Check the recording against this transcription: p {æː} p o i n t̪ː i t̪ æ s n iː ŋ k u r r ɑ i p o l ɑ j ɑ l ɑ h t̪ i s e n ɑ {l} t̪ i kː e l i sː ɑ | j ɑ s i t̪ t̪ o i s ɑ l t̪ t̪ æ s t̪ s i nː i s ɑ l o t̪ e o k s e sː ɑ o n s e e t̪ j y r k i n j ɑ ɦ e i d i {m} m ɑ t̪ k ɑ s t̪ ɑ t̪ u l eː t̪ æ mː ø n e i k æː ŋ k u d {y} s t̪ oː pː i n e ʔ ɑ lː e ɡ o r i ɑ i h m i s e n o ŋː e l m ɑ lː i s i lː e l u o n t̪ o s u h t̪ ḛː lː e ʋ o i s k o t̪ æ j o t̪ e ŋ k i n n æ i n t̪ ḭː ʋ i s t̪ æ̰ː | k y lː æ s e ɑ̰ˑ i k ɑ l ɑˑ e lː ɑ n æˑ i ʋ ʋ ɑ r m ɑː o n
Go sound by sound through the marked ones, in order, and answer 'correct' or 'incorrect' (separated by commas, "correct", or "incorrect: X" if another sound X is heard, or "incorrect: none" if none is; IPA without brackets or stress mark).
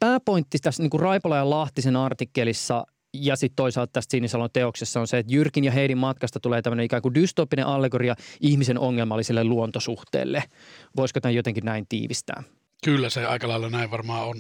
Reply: correct, incorrect: r, correct, correct